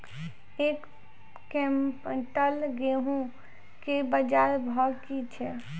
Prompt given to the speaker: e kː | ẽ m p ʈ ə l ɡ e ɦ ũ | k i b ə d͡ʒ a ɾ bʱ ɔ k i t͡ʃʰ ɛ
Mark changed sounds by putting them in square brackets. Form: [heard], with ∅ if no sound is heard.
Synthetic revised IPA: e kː | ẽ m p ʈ ə l ɡ e ɦ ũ | k [e] b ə d͡ʒ a ɾ bʱ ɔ k i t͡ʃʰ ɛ

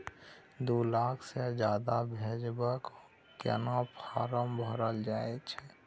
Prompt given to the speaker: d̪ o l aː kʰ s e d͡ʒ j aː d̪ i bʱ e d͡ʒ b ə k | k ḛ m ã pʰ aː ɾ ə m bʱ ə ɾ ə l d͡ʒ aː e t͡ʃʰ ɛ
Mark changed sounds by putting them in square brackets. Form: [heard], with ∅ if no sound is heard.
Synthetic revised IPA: d̪ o l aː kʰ s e d͡ʒ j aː d̪ [a] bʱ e d͡ʒ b ə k | k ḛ [n] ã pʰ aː ɾ ə m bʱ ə ɾ ə l d͡ʒ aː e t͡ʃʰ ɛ

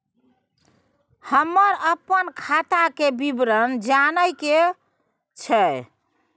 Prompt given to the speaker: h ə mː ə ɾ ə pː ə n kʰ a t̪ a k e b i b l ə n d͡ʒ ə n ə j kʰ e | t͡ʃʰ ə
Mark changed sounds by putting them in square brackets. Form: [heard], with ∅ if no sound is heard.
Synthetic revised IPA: h ə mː ə ɾ ə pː ə n kʰ a t̪ a k e b i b [ɾ] ə n d͡ʒ [a] n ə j [k] e | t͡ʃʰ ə

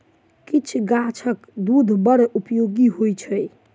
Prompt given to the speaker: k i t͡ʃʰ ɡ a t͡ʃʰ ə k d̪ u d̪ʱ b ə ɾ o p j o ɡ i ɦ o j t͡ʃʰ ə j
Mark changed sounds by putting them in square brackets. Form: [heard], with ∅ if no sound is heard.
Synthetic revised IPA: k i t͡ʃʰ ɡ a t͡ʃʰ ə k d̪ u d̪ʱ b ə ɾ [u] p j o ɡ i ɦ o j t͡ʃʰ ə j

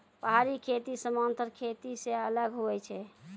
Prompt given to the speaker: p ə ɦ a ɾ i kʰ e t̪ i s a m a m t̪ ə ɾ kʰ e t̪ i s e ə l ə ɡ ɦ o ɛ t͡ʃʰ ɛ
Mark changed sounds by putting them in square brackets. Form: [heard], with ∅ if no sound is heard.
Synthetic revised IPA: p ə ɦ a ɾ i kʰ e t̪ i s [ə] m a [n] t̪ ə ɾ kʰ e t̪ i s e ə l ə ɡ ɦ o ɛ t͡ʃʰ ɛ

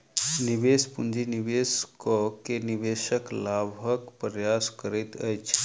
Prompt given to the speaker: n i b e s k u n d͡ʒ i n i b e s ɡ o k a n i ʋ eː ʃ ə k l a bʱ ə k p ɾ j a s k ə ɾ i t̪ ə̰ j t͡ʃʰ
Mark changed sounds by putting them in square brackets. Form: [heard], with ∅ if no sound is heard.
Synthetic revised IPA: n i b e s [p] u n d͡ʒ i n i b e s [k] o k [e] n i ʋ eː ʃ ə k l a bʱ ə k p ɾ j a s k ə ɾ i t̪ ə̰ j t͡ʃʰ

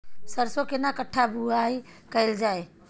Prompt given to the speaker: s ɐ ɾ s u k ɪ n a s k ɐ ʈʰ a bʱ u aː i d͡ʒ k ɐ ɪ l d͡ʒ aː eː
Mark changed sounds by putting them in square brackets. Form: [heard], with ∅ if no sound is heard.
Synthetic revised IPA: s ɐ ɾ s [o] k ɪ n a [∅] k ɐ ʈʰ a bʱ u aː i [∅] k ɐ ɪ l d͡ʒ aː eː

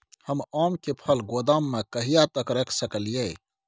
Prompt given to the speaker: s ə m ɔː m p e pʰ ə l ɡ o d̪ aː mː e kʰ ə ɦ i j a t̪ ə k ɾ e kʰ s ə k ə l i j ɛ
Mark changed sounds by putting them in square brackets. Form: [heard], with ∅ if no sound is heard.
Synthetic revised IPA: [h] ə m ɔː m [k] e pʰ ə l ɡ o d̪ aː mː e [k] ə ɦ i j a t̪ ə k ɾ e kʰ s ə k ə l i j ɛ

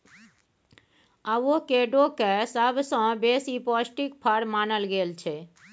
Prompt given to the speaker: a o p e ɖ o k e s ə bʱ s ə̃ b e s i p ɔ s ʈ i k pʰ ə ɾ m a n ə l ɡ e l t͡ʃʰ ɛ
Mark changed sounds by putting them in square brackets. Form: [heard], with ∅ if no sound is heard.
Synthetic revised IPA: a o [k] e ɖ o k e s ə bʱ s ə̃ b e s i p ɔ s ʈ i k pʰ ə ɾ m a n ə l ɡ e l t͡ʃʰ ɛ

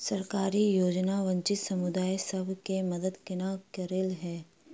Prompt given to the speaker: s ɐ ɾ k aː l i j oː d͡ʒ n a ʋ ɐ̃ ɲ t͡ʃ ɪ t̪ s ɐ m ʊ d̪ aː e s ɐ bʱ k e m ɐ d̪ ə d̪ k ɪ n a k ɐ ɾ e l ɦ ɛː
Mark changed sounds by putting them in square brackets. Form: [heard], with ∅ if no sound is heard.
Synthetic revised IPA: s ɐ ɾ k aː [ɾ] i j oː d͡ʒ n a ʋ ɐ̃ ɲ t͡ʃ ɪ t̪ s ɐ m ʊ d̪ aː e s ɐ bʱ k e m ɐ d̪ ə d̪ k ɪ n a k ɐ ɾ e l ɦ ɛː

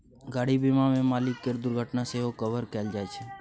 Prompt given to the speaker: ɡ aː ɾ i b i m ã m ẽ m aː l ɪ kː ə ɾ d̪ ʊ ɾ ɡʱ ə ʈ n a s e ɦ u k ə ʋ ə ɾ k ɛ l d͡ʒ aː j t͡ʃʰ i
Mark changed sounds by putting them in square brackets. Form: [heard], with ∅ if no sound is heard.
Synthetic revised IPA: ɡ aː [ɽ] i b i m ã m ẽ m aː l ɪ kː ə ɾ d̪ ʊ ɾ ɡʱ ə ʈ n a s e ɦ [o] k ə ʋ ə ɾ k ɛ l d͡ʒ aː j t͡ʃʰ [e]

